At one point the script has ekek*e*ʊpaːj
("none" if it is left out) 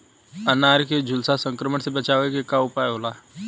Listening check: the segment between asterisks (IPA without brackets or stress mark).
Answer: a